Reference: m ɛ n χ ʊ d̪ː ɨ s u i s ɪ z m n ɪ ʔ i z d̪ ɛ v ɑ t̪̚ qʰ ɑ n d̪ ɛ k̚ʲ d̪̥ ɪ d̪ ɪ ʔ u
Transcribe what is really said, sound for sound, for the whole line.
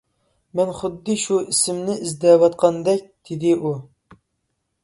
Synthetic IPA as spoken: m ɛ n χ ʊ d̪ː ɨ ʃ u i s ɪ m n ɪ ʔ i z d̪ ɛ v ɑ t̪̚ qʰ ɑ n d̪ ɛ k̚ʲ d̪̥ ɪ d̪ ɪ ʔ u